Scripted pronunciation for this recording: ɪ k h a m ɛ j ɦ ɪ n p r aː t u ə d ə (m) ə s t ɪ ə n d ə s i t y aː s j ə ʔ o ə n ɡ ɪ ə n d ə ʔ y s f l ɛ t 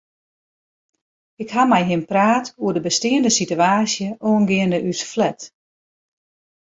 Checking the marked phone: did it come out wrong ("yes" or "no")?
yes